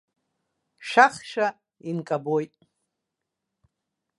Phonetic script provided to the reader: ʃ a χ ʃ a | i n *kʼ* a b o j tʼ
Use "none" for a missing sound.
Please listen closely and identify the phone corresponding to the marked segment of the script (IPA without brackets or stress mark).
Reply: kʼ